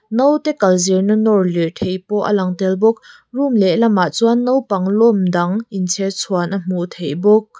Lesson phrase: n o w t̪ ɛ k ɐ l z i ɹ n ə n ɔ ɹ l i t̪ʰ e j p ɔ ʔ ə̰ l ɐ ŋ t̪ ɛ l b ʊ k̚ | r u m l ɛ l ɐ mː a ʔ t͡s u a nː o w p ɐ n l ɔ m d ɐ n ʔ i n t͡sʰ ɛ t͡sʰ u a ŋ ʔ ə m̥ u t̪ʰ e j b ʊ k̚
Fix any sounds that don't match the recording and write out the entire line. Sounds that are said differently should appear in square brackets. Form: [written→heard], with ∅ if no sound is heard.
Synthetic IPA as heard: n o w t̪ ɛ k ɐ l z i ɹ n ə n ɔ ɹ l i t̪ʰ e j p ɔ ʔ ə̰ l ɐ ŋ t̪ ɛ l b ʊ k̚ | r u m l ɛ l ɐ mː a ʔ t͡s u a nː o w p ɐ [n→ŋ] l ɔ m d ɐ [n→ŋ] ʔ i n t͡sʰ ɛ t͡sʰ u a [ŋ→n] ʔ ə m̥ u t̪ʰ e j b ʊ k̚